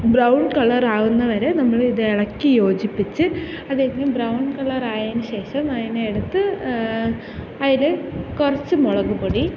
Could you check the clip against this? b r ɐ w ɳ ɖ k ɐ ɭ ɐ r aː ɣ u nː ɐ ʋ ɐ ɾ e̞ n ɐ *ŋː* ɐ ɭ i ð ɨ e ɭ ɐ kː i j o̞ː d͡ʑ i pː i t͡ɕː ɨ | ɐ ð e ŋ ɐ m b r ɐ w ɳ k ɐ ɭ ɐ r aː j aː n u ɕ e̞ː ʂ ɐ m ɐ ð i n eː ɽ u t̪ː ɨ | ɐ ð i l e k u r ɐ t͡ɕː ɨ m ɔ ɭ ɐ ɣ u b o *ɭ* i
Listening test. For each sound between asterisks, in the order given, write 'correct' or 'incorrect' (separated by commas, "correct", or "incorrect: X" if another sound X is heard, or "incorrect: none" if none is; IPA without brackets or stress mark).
incorrect: mː, incorrect: ɽ